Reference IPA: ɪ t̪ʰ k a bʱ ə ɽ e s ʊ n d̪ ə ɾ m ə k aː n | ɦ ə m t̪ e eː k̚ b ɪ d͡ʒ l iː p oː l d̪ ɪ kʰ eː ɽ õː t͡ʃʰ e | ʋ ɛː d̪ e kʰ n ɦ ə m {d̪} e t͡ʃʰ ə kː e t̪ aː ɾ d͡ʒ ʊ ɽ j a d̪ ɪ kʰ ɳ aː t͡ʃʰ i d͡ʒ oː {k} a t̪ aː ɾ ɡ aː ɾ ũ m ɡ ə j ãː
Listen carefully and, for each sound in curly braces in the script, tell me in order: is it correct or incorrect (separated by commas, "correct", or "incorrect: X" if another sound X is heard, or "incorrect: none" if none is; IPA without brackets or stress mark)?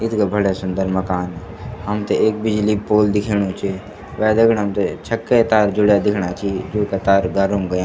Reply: incorrect: t̪, correct